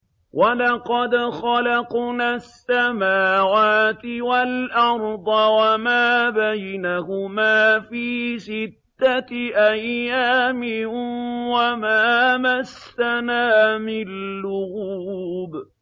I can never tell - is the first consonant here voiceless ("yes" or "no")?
no